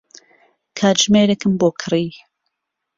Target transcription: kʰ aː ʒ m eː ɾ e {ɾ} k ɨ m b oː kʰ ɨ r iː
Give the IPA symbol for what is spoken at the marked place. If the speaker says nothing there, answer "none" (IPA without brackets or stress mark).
none